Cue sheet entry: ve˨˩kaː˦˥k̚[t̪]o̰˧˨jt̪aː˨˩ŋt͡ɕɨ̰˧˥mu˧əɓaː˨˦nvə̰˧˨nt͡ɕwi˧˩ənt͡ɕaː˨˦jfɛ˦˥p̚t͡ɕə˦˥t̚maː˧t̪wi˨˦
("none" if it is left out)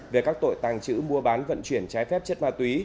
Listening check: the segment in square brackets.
t̪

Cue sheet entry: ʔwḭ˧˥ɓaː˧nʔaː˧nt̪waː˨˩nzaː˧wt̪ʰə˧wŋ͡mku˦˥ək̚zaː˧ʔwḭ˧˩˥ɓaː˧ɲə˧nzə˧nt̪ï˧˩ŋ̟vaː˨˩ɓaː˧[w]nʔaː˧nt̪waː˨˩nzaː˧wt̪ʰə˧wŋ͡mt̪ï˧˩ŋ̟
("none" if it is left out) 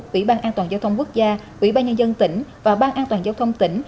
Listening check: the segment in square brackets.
none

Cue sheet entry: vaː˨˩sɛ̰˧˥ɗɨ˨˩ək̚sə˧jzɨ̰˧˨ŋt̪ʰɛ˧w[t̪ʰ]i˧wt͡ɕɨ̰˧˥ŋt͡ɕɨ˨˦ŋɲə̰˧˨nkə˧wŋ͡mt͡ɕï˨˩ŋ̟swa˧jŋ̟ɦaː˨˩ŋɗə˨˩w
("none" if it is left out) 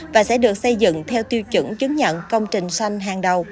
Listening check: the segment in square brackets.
t̪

